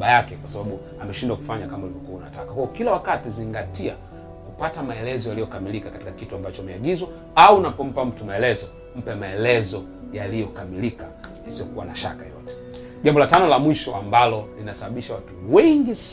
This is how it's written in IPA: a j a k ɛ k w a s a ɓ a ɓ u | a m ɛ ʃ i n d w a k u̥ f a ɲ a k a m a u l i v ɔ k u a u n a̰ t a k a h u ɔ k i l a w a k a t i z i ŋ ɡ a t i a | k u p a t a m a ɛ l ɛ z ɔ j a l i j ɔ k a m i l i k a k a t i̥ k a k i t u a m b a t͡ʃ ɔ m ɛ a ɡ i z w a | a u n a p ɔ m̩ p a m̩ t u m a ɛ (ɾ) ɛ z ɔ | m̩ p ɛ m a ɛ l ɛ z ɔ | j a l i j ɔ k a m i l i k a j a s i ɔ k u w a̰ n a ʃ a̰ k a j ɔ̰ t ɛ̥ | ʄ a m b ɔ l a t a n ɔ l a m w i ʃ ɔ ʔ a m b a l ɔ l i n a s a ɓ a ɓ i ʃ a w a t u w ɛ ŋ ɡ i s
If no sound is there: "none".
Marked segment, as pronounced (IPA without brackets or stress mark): l